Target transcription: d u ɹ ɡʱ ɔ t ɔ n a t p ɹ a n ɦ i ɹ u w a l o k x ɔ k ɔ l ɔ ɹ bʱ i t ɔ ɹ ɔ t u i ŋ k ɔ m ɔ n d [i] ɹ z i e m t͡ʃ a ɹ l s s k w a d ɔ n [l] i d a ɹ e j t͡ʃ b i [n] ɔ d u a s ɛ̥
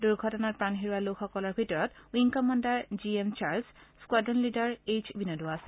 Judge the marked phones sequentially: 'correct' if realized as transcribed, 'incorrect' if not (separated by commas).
incorrect, correct, correct